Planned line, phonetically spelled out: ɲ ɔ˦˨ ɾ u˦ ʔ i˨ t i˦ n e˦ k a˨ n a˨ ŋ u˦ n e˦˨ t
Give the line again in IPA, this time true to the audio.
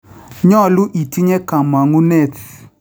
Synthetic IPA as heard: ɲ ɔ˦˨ l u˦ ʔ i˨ t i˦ ɲ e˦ k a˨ m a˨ ŋ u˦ n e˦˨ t